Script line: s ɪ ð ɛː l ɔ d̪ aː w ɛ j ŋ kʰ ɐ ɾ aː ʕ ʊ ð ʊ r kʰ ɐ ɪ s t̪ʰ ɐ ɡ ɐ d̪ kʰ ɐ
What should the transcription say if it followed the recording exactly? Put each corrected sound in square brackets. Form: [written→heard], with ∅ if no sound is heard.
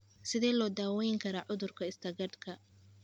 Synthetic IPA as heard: s ɪ ð ɛː l [ɔ→ɔː] d̪ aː w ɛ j ŋ kʰ ɐ ɾ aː ʕ ʊ ð ʊ r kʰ ɐ ɪ s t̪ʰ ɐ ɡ ɐ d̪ kʰ ɐ